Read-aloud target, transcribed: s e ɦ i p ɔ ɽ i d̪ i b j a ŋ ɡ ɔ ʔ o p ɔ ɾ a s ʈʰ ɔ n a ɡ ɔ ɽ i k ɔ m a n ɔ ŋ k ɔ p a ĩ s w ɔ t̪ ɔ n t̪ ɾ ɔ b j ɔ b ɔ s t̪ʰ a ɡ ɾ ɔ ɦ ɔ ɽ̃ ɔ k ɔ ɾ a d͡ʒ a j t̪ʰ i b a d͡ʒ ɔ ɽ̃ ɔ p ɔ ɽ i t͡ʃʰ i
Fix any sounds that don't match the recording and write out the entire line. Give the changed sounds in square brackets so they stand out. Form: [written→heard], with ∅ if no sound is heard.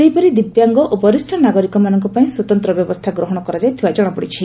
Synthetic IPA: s e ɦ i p ɔ [ɽ→ɾ] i d̪ i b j a ŋ ɡ ɔ ʔ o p ɔ ɾ [a→i] s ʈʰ ɔ n a ɡ ɔ [ɽ→ɾ] i k ɔ m a n ɔ ŋ k ɔ p a ĩ s w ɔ t̪ ɔ n t̪ ɾ ɔ b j ɔ b ɔ s t̪ʰ a ɡ ɾ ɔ ɦ ɔ ɽ̃ ɔ k ɔ ɾ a d͡ʒ a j t̪ʰ i b a d͡ʒ ɔ ɽ̃ ɔ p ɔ ɽ i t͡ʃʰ i